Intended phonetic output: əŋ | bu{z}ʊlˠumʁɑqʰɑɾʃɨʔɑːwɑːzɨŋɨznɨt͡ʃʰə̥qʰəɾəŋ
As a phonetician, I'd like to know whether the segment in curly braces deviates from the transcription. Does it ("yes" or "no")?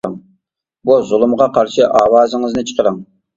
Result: no